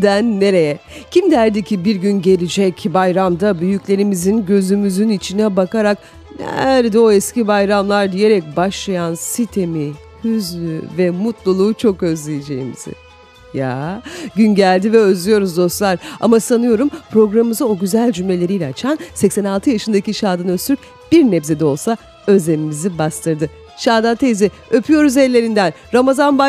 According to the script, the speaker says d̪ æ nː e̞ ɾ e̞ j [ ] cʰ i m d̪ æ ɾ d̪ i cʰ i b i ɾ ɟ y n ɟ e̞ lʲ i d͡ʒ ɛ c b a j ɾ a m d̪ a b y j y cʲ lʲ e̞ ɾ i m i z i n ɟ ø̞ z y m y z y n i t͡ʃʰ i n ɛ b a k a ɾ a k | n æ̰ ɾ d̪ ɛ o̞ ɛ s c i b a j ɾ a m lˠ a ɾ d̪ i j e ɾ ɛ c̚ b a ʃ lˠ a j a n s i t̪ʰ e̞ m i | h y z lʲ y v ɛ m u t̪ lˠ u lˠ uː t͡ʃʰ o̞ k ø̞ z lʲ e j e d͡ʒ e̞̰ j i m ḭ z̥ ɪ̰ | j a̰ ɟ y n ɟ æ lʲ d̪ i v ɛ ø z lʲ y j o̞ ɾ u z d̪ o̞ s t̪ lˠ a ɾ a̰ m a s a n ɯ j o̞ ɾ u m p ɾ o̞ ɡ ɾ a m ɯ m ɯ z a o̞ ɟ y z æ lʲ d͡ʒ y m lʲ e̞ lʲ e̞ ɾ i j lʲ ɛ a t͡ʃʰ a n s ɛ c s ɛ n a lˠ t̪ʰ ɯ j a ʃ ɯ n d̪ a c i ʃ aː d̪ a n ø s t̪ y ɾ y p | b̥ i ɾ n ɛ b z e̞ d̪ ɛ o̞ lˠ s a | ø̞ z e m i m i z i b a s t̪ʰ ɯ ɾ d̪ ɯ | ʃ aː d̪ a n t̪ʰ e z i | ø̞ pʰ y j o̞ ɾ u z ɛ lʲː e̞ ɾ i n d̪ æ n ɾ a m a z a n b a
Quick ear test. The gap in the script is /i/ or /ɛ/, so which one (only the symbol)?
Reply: ɛ